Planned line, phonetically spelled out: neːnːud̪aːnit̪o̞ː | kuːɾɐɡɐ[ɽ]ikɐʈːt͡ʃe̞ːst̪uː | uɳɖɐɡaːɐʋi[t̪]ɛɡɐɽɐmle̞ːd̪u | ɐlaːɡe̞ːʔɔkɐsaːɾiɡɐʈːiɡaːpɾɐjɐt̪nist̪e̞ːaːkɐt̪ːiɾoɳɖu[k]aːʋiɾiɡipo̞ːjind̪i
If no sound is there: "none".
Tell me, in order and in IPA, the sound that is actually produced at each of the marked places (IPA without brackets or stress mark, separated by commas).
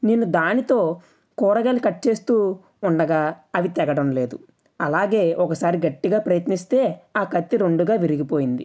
l, t̪, ɡ